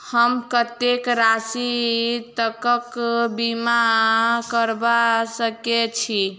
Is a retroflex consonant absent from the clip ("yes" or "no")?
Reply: yes